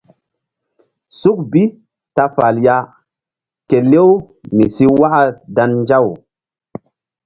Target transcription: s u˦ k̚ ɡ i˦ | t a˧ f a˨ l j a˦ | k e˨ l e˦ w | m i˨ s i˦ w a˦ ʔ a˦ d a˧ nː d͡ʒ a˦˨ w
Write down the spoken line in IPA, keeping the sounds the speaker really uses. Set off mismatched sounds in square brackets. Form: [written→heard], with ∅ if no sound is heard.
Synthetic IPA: s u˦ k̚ [ɡ→b] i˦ | t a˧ f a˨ l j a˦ | k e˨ l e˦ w | m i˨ s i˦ w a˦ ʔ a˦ d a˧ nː d͡ʒ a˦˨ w